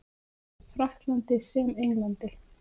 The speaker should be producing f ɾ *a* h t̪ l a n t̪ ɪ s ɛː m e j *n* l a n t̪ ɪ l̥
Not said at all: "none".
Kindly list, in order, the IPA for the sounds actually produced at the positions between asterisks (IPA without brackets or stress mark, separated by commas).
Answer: a, ŋ